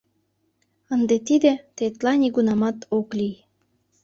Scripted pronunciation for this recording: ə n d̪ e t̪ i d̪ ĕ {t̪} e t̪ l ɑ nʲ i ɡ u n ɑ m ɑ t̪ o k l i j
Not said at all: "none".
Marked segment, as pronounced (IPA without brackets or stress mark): t̪